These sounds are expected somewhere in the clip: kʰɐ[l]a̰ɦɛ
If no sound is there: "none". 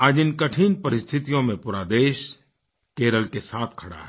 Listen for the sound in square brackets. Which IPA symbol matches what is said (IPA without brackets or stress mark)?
ɽ